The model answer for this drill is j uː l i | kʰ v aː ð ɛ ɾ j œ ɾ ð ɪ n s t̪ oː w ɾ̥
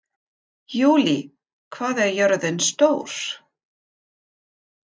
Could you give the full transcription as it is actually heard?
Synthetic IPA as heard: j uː l i | kʰ v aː ð ɛ ɾ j œ ɾ ð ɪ n s t̪ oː w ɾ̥